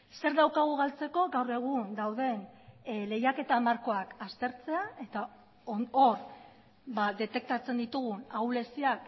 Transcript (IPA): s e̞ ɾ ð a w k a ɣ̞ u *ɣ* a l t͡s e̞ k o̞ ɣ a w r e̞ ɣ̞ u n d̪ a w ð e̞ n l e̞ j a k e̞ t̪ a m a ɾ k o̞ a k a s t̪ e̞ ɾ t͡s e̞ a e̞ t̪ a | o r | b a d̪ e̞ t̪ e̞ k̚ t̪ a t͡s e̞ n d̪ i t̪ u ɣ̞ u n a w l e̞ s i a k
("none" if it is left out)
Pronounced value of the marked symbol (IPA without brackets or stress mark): ɣ